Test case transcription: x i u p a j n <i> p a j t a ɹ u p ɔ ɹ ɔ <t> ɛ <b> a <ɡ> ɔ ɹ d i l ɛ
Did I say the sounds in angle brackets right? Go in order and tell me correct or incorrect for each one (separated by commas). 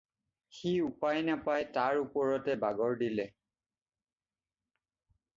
incorrect, correct, correct, correct